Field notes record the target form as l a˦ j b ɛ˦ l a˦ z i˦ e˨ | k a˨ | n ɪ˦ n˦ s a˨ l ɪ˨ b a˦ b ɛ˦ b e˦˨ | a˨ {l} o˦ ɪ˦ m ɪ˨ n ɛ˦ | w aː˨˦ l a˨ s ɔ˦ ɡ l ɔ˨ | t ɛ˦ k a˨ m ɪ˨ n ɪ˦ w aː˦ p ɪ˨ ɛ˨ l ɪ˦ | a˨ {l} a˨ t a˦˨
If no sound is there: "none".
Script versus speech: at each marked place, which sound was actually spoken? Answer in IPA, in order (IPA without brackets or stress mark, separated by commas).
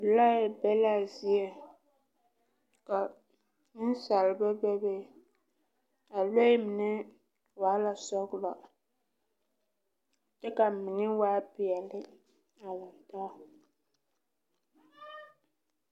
l, l